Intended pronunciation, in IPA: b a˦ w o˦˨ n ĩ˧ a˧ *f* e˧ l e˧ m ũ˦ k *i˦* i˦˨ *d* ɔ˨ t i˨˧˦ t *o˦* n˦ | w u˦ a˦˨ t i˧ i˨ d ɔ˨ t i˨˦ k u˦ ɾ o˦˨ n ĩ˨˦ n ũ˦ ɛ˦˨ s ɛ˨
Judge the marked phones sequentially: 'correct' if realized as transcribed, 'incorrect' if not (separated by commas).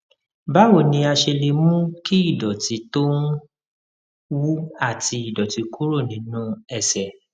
incorrect, correct, correct, correct